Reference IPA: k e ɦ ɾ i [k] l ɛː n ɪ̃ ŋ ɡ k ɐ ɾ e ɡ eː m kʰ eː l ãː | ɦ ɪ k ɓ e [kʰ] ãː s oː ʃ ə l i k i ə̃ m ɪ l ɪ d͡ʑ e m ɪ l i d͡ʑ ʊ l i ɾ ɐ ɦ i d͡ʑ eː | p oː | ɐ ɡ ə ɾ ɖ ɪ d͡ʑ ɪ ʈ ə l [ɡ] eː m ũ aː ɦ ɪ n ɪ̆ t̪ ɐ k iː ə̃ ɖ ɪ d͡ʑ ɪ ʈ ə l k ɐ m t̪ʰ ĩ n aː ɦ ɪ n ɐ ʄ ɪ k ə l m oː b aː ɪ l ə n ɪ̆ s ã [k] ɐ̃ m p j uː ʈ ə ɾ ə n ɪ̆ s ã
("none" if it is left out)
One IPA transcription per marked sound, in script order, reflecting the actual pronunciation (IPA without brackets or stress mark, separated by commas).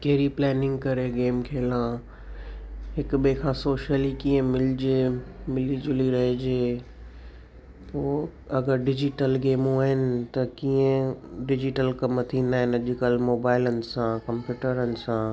p, kʰ, ɡ, k